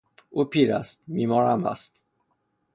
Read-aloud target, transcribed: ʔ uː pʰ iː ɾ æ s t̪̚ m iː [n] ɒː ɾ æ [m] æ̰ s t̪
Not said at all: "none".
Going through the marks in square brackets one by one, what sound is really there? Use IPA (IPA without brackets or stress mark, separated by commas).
m, m